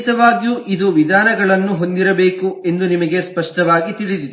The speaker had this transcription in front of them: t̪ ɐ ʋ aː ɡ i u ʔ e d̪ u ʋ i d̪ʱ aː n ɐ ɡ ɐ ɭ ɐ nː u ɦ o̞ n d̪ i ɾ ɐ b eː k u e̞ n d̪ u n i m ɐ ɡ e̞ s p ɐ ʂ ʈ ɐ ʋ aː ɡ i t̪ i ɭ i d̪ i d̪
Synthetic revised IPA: t̪ ɐ ʋ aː ɡ j u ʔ i d̪ u ʋ i d̪ʱ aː n ɐ ɡ ɐ ɭ ɐ nː u ɦ o̞ n d̪ i ɾ ɐ b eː k u e̞ n d̪ u n i m ɐ ɡ e̞ s p ɐ ʂ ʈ ɐ ʋ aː ɡ i t̪ i ɭ i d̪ i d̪

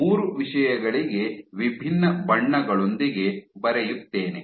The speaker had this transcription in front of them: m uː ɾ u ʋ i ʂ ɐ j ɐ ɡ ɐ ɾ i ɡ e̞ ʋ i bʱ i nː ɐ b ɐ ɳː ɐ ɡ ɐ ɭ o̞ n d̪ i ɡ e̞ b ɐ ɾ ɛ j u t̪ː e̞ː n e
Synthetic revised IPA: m uː ɾ u ʋ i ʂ ɐ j ɐ ɡ ɐ ɭ i ɡ e̞ ʋ i bʱ i nː ɐ b ɐ ɳː ɐ ɡ ɐ ɭ o̞ n d̪ i ɡ e̞ b ɐ ɾ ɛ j u t̪ː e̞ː n e

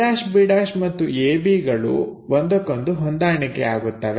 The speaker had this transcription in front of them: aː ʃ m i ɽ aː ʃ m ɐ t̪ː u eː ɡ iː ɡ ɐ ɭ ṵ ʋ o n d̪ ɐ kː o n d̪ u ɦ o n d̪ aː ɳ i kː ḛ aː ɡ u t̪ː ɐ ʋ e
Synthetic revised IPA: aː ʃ b i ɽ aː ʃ m ɐ t̪ː u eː b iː ɡ ɐ ɭ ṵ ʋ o n d̪ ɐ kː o n d̪ u ɦ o n d̪ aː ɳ i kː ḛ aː ɡ u t̪ː ɐ ʋ e

